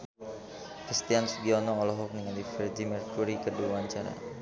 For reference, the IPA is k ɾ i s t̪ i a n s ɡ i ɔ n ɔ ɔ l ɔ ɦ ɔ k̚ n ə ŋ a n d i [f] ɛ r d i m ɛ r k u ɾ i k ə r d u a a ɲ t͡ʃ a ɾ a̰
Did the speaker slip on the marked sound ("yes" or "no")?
no